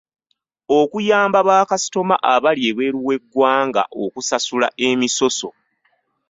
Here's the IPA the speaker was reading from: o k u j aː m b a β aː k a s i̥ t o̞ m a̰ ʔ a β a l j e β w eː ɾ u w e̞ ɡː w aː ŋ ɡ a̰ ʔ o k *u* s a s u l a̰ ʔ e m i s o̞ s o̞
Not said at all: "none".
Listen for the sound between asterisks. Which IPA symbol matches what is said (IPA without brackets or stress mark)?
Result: u